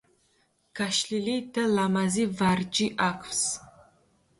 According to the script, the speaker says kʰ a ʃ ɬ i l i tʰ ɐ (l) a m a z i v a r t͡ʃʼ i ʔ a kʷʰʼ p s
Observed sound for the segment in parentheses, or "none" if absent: l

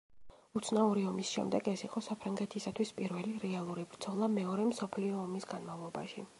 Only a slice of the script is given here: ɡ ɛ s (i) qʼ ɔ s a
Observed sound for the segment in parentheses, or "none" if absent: i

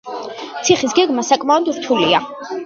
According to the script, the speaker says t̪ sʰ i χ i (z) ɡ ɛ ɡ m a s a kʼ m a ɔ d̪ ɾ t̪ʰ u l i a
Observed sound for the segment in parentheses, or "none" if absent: s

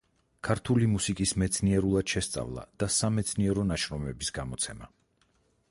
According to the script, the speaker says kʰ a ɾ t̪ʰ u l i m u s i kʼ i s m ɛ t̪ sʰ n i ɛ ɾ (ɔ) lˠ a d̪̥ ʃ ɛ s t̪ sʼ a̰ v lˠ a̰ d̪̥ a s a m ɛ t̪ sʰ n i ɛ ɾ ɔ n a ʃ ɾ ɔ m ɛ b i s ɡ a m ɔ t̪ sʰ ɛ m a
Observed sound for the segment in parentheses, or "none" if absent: u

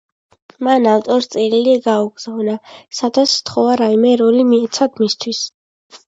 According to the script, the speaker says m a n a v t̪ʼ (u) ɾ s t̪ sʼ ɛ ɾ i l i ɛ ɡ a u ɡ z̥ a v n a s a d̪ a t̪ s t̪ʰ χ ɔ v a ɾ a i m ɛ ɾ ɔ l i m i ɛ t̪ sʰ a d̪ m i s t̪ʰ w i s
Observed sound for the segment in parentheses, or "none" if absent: ɔ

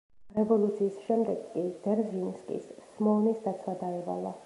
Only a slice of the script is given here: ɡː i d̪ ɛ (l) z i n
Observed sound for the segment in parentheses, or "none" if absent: ɾ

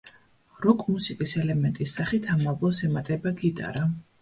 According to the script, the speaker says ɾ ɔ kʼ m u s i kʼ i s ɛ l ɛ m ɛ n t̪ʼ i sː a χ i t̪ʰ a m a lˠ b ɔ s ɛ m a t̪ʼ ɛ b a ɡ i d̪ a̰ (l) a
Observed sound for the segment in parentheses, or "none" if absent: ɾ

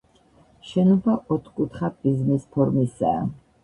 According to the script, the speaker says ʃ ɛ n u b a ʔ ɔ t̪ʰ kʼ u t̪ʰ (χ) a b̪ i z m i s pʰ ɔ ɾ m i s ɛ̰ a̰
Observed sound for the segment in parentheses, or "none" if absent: χ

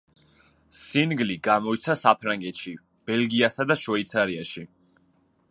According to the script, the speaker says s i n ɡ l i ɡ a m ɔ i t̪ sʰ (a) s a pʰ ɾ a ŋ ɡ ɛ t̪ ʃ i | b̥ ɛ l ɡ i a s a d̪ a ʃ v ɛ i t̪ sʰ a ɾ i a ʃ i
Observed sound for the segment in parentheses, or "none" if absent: a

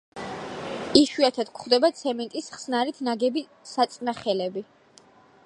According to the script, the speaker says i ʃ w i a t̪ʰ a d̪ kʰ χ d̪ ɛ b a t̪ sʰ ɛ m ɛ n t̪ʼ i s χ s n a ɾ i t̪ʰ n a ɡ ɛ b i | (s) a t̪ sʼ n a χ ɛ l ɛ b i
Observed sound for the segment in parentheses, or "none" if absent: s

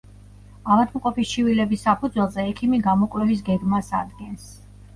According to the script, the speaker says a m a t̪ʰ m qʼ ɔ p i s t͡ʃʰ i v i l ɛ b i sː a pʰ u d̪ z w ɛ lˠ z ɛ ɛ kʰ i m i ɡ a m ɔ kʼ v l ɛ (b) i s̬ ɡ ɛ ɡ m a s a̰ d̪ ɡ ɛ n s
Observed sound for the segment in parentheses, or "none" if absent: v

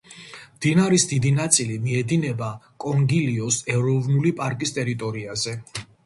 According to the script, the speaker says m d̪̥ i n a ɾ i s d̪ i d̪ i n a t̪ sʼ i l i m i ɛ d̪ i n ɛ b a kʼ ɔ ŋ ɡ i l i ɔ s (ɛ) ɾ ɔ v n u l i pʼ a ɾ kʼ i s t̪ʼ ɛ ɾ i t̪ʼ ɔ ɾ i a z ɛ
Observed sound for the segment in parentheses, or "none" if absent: ɛ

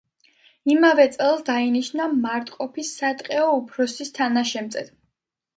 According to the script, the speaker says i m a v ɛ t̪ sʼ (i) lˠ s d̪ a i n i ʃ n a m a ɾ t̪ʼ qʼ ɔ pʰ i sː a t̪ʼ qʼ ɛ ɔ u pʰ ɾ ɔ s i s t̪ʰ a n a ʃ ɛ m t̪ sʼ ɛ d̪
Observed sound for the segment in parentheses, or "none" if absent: ɛ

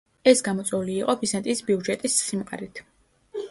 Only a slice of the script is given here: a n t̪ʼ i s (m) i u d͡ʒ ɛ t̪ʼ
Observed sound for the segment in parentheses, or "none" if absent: b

